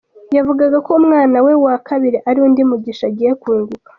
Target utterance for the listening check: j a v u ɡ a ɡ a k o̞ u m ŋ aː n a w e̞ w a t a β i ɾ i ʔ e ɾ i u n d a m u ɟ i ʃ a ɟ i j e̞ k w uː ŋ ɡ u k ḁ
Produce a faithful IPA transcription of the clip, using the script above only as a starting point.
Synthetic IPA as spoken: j a v u ɡ a ɡ a k o̞ u m ŋ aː n a w e̞ w a k a β i ɾ i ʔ a ɾ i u n d i m u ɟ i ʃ a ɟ i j e̞ k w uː ŋ ɡ u k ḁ